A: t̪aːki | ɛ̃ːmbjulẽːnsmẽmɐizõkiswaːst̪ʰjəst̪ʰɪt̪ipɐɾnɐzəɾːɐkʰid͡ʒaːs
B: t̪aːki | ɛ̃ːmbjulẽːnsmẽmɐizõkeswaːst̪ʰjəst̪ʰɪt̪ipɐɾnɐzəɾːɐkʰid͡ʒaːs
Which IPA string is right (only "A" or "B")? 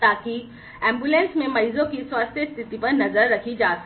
A